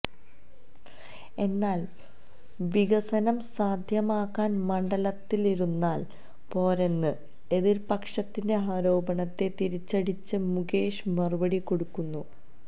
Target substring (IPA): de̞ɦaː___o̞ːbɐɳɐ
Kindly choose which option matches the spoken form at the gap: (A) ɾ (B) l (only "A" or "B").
A